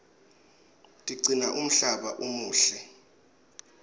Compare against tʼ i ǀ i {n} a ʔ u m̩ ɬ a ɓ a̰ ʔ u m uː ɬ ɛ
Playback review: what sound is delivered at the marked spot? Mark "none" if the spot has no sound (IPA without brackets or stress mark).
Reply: n